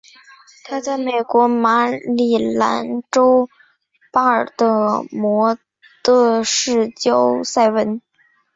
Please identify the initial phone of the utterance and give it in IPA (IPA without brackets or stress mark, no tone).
t̪ʰ